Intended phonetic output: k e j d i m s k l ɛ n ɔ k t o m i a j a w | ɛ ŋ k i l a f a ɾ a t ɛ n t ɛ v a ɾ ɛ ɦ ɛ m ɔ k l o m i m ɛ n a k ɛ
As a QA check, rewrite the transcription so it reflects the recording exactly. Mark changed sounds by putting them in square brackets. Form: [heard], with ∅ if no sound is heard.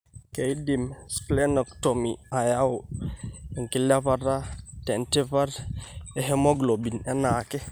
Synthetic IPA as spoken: k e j d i m s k l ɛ n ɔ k t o m i a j a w | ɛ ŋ k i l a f a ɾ a t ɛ n t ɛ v a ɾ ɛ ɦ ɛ m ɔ [ɡ] l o [b] i [n] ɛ n a k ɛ